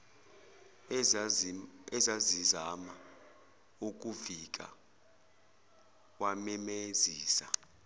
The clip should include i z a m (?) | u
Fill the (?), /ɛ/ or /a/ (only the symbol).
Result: a